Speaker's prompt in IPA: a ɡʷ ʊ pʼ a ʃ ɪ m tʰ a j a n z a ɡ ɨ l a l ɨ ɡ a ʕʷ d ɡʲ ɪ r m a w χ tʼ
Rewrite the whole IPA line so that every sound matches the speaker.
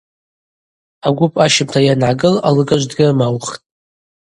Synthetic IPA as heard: a ɡʷ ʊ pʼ a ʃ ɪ m tʰ a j a n ʕ a ɡ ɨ l a l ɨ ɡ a ʒʷ d ɡʲ ɪ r m a w χ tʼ